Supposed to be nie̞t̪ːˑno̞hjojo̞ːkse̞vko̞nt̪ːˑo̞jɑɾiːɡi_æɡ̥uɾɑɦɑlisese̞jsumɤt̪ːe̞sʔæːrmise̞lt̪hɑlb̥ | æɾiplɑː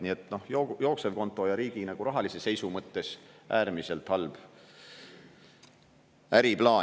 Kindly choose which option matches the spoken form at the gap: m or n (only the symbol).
n